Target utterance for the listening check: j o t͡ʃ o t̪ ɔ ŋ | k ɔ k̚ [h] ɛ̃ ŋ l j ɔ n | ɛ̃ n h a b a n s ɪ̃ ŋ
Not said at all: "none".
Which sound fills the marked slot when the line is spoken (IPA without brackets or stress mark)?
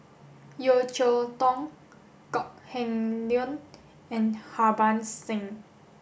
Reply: h